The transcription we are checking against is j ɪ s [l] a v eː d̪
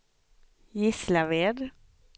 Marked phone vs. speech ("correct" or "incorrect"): correct